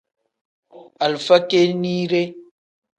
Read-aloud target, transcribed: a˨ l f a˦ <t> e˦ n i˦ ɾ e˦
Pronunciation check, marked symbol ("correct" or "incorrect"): incorrect